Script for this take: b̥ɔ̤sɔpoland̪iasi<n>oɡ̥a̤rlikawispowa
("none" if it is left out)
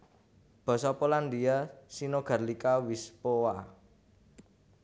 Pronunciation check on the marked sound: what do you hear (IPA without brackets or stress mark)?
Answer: n